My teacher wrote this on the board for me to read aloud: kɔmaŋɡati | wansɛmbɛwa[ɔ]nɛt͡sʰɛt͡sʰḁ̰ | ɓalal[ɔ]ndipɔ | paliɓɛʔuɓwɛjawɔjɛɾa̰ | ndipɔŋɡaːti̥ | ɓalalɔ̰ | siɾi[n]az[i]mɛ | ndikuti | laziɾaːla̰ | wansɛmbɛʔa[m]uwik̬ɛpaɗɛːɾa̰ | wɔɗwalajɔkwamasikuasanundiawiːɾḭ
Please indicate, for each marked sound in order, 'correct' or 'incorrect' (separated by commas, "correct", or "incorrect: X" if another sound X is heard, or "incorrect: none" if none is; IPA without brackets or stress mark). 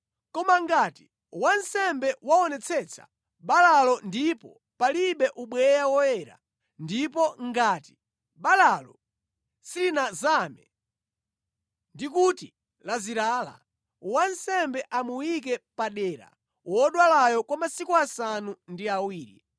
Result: correct, correct, correct, incorrect: a, correct